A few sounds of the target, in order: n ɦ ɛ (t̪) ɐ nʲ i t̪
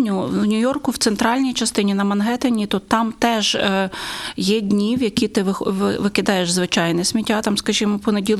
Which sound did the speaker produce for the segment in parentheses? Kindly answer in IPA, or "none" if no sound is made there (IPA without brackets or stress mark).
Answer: t̪